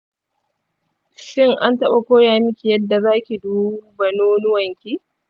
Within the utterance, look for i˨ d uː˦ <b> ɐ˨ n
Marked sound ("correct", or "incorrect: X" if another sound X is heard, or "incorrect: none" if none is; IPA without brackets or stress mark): correct